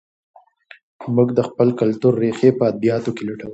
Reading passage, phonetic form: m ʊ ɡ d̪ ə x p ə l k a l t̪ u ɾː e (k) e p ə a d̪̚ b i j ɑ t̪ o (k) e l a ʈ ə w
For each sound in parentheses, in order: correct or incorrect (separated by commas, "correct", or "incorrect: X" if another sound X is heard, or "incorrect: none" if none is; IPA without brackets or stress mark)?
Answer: incorrect: x, correct